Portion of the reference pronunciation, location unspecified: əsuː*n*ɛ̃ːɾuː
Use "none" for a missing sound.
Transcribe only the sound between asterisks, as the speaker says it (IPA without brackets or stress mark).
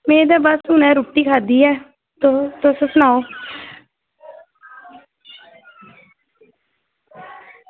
n